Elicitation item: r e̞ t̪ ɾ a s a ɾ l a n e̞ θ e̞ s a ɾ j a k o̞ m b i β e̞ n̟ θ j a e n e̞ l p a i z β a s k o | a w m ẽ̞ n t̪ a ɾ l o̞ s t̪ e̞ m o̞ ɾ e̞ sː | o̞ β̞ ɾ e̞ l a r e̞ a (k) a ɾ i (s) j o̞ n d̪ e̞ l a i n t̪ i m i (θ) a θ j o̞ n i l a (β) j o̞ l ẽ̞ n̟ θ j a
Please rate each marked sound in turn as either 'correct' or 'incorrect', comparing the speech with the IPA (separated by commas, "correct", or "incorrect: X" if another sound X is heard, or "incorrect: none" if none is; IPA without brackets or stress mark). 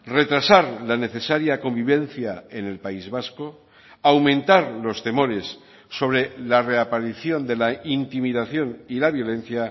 incorrect: p, incorrect: θ, incorrect: ð, correct